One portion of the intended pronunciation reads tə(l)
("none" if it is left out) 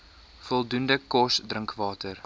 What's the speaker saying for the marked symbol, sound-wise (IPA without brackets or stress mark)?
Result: r